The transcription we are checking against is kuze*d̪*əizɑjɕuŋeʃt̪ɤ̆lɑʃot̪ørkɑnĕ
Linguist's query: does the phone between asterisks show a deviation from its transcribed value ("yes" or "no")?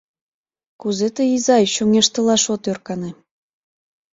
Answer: yes